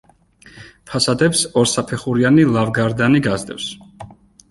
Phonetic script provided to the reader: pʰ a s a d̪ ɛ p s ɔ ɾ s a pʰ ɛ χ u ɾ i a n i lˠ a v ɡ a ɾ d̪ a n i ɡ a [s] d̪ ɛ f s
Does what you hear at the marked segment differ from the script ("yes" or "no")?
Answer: yes